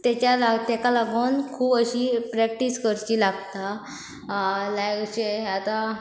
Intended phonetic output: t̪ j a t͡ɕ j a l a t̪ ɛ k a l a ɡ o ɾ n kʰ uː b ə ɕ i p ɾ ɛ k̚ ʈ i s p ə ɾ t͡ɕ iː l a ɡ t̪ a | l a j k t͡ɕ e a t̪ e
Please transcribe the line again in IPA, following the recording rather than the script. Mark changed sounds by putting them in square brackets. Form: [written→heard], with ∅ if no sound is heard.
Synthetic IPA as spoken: t̪ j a t͡ɕ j a l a t̪ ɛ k a l a ɡ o [ɾ→∅] n kʰ uː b ə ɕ i p ɾ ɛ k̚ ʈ i s [p→k] ə ɾ t͡ɕ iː l a ɡ t̪ a | l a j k t͡ɕ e a t̪ [e→a]